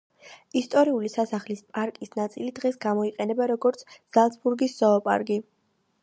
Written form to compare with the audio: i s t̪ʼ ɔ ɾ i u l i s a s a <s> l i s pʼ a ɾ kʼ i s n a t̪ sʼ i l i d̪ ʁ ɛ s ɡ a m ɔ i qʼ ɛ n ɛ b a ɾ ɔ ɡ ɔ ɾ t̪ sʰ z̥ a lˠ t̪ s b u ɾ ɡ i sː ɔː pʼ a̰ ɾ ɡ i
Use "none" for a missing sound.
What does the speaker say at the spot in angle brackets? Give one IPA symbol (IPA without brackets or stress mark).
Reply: χ